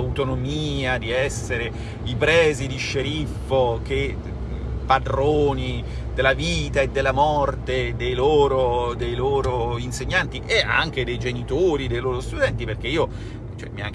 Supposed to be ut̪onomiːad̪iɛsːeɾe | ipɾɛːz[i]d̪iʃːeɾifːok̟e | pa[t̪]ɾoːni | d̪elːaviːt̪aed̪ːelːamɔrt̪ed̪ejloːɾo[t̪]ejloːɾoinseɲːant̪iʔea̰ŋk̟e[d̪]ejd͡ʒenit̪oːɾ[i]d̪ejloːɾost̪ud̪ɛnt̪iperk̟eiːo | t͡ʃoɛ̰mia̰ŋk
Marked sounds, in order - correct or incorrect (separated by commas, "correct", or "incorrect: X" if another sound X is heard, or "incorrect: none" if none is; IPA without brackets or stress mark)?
correct, incorrect: d̪, incorrect: d̪, correct, correct